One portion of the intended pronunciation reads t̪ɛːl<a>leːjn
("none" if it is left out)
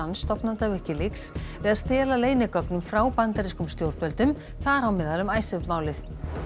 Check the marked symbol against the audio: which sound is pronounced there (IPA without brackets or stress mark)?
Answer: a